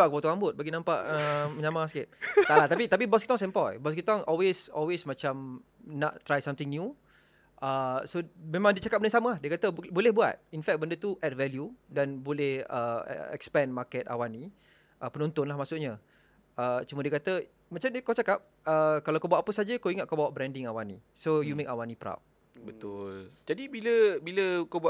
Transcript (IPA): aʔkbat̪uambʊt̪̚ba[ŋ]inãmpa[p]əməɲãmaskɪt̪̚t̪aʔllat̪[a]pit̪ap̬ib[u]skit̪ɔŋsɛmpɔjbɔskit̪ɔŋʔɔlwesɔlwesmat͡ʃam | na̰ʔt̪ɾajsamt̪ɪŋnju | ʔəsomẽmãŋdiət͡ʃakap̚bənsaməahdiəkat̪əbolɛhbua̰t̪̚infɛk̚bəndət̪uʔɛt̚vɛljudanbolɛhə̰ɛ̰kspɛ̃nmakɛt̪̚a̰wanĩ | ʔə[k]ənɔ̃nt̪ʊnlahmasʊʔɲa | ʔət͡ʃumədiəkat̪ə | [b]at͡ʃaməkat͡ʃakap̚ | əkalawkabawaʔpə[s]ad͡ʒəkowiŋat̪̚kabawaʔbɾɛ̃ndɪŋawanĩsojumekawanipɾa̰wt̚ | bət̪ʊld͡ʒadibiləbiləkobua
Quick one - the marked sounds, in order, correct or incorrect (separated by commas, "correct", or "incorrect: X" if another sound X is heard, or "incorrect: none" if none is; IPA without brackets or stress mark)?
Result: incorrect: ɡ, incorrect: ʔ, correct, incorrect: ɔ, incorrect: p, incorrect: m, correct